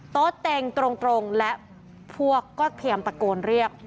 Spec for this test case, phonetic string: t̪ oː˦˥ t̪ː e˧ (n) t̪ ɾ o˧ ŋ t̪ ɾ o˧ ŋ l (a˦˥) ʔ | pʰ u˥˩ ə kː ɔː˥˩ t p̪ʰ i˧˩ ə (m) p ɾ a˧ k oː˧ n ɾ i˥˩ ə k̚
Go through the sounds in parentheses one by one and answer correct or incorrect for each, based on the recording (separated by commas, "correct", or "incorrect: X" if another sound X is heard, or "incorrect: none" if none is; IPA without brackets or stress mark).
incorrect: ŋ, incorrect: ɛ˦˥, correct